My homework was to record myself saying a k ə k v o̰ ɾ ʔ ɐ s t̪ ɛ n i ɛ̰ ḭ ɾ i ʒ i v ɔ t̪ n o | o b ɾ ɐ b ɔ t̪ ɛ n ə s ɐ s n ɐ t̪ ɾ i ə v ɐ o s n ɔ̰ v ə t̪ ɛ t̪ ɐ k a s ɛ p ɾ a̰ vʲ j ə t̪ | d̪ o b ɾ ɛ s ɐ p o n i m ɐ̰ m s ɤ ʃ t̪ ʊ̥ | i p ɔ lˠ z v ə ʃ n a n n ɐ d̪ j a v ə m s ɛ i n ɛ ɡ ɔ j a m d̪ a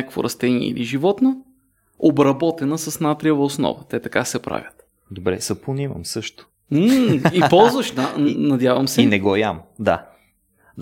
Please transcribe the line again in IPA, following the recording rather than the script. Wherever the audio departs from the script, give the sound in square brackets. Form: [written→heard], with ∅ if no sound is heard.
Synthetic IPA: a k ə k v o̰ ɾ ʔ ɐ s t̪ ɛ n i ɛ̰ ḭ [ɾ→l] i ʒ i v ɔ t̪ n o | o b ɾ ɐ b ɔ t̪ ɛ n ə s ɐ s n [ɐ→a] t̪ ɾ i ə v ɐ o s n ɔ̰ v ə t̪ ɛ t̪ ɐ k a s ɛ p ɾ a̰ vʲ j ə t̪ | d̪ o b ɾ ɛ s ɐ p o n i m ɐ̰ m s ɤ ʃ t̪ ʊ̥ | i p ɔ lˠ z v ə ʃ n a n n ɐ d̪ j a v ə m s ɛ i n ɛ ɡ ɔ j a m d̪ a